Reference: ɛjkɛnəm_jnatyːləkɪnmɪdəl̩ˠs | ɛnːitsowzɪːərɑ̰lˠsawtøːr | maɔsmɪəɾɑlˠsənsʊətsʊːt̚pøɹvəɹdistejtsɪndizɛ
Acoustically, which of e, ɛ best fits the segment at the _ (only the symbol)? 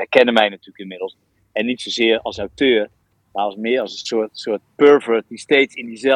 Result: ɛ